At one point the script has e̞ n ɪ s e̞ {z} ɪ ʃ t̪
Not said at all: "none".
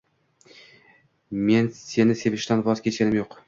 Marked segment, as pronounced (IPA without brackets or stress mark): v